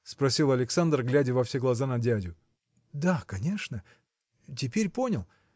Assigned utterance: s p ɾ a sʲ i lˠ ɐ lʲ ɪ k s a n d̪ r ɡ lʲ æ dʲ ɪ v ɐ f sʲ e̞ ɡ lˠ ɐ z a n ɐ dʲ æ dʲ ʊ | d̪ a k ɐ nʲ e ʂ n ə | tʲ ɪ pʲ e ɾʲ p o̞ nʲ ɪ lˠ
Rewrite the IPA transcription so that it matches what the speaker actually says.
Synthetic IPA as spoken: s p ɾ ɐ sʲ i lˠ ɐ lʲ ɪ k s a n d̪ r ɡ lʲ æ dʲ ɪ v ɐ f sʲ e̞ ɡ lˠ ɐ z a n ɐ dʲ æ dʲ ʊ | d̪ a k ɐ nʲ e ʂ n ə | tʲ ɪ pʲ e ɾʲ p o̞ nʲ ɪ lˠ

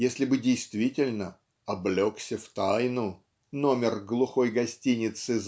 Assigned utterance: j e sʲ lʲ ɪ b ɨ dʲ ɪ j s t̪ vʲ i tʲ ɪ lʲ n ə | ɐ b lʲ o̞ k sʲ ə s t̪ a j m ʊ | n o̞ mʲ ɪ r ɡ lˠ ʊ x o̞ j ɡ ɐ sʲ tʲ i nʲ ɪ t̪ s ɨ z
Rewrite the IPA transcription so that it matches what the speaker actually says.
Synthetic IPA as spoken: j e sʲ lʲ ɪ b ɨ dʲ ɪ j s t̪ vʲ i tʲ ɪ lʲ n ə | ɐ b lʲ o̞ k sʲ ə f t̪ a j n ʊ | n o̞ mʲ ɪ r ɡ lˠ ʊ x o̞ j ɡ ɐ sʲ tʲ i nʲ ɪ t̪ s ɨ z

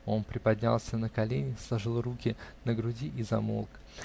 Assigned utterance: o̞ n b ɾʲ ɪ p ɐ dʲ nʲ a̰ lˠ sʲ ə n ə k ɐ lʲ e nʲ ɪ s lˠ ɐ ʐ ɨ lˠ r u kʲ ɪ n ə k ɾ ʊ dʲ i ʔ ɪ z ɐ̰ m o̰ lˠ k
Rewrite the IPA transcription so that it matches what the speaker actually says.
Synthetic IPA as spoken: o̞ n p ɾʲ ɪ p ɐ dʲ nʲ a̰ lˠ sʲ ə n ə k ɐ lʲ e nʲ ɪ s lˠ ɐ ʐ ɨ lˠ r u kʲ ɪ n ə ɡ ɾ ʊ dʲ i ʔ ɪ z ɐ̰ m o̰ lˠ k

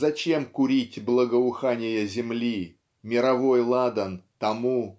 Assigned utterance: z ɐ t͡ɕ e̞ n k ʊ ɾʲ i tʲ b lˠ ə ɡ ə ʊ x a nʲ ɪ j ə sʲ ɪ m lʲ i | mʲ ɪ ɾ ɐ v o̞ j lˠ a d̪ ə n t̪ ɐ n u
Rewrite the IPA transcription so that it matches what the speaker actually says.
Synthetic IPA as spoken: z ɐ t͡ɕ e̞ m k ʊ ɾʲ i tʲ b lˠ ə ɡ ə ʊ x a nʲ ɪ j ə zʲ ɪ m lʲ i | mʲ ɪ ɾ ɐ v o̞ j lˠ a d̪ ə n t̪ ɐ m u

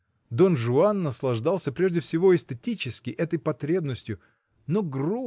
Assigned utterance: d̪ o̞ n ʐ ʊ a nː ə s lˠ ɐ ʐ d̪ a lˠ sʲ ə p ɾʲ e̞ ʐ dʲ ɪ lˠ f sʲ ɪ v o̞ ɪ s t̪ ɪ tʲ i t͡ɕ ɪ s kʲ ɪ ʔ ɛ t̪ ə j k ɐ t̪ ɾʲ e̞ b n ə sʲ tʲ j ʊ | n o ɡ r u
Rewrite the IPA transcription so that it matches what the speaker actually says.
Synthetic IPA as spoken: d̪ o̞ n ʐ ʊ a nː ə s lˠ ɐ ʐ d̪ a lˠ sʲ ə p ɾʲ e̞ ʐ dʲ ɪ f sʲ ɪ v o̞ ɪ s t̪ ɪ tʲ i t͡ɕ ɪ s kʲ ɪ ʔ ɛ t̪ ə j p ɐ t̪ ɾʲ e̞ b n ə sʲ tʲ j ʊ | n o ɡ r u

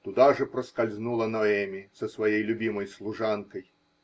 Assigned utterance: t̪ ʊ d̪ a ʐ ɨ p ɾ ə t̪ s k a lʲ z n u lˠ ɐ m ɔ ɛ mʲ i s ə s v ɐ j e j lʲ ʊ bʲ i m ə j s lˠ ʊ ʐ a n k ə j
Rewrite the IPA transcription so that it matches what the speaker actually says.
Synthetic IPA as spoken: t̪ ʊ d̪ a ʐ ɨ p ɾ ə s k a lʲ z n u lˠ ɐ n ɔ ɛ mʲ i s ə s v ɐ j e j lʲ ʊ bʲ i m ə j s lˠ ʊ ʐ a n k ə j

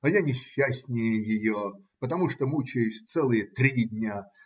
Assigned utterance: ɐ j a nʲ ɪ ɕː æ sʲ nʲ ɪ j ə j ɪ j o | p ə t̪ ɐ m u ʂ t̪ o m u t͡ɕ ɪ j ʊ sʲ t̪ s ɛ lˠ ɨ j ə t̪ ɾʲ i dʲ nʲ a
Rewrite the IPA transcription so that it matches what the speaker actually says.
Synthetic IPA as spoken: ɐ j a nʲ ɪ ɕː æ sʲ nʲ ɪ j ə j ɪ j o | p ə t̪ ɐ m u ʂ t̪ o m u t͡ɕ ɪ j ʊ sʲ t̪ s ɛ lˠ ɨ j ə t̪ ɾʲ i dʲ nʲ a

